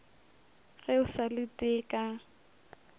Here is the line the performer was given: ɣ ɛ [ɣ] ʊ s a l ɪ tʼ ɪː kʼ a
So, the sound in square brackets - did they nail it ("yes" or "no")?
no